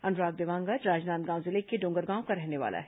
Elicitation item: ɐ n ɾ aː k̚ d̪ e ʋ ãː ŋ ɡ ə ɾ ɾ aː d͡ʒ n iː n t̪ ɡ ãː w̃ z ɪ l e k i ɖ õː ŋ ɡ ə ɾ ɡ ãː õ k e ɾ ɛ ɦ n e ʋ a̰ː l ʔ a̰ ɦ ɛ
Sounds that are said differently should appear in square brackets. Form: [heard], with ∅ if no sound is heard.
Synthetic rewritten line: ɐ n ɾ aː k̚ d̪ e ʋ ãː ŋ ɡ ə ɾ ɾ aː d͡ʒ n [aː] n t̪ ɡ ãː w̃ z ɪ l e k [e] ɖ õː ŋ ɡ ə ɾ ɡ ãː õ k [a] ɾ ɛ ɦ n e ʋ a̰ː l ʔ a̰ ɦ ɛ